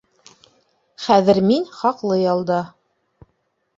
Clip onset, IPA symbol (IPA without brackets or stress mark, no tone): χ